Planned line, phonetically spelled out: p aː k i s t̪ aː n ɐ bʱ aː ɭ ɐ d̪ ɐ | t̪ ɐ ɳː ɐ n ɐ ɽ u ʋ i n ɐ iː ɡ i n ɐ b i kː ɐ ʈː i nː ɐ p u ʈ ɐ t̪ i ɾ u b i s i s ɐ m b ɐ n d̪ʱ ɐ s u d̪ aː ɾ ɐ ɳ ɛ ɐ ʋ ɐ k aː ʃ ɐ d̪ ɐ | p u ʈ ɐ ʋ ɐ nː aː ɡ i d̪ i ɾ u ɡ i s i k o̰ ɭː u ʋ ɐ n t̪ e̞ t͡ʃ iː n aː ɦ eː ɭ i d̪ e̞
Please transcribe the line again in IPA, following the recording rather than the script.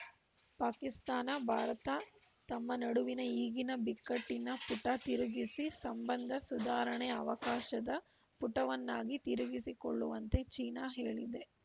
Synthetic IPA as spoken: p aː k i s t̪ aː n ɐ bʱ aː ɾ ɐ t̪ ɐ | t̪ ɐ mː ɐ n ɐ ɽ u ʋ i n ɐ iː ɡ i n ɐ b i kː ɐ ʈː i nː ɐ p u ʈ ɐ t̪ i ɾ u ɡ i s i s ɐ m b ɐ n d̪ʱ ɐ s u d̪ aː ɾ ɐ ɳ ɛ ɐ ʋ ɐ k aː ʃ ɐ d̪ ɐ | p u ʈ ɐ ʋ ɐ nː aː ɡ i t̪ i ɾ u ɡ i s i k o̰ ɭː u ʋ ɐ n t̪ e̞ t͡ʃ iː n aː ɦ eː ɭ i d̪ e̞